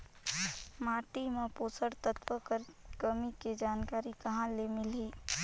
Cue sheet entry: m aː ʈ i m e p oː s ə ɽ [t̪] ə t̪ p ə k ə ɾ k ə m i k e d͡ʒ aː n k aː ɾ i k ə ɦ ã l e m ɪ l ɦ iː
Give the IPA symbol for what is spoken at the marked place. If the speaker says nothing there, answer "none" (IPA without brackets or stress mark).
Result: t̪